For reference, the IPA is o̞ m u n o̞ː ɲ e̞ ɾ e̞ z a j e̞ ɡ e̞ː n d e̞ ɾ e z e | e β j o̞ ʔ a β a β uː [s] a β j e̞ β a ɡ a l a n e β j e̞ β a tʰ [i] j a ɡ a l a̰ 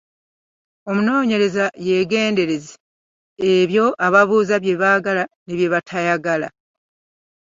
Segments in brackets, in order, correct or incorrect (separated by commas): incorrect, incorrect